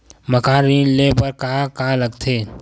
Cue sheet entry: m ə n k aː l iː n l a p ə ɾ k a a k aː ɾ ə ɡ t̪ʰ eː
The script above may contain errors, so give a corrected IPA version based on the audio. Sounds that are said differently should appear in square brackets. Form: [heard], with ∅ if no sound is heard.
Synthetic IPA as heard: m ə [∅] k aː [ɾ] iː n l [e] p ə ɾ k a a k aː [l] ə ɡ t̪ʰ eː